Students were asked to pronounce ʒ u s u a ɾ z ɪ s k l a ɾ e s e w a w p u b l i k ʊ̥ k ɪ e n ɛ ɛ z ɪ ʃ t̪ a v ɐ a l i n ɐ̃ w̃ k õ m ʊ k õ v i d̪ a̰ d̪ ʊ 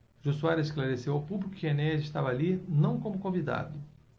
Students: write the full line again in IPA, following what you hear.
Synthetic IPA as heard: ʒ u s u a ɾ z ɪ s k l a ɾ e s e w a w p u b l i k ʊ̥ k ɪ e n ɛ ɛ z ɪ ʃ t̪ a v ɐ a l i n ɐ̃ w̃ k õ m ʊ k õ v i d̪ a̰ d̪ ʊ